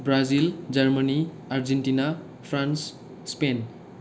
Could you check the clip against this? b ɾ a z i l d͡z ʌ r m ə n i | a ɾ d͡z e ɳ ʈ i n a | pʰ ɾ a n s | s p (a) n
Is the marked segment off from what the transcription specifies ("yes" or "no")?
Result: yes